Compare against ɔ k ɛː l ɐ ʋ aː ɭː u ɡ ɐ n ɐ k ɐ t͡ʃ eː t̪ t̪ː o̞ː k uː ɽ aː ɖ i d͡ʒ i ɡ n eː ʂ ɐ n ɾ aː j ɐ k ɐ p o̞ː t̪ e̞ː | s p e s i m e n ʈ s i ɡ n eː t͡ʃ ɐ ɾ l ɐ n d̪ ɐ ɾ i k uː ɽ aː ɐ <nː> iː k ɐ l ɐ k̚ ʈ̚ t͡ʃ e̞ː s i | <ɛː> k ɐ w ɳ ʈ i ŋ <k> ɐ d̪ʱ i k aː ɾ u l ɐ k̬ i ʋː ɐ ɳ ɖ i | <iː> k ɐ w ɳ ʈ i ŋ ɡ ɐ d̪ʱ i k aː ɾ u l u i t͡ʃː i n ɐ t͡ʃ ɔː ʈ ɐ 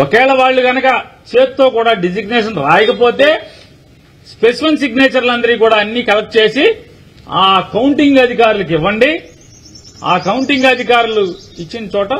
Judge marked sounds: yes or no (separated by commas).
yes, no, no, no